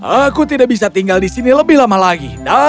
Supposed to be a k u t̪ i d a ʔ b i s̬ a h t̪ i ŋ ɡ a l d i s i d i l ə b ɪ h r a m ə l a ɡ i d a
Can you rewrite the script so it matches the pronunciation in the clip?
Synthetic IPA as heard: a k u t̪ i d a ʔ b i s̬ a t̪ i ŋ ɡ a l d i s i n i l ə b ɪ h l a m a l a ɡ i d a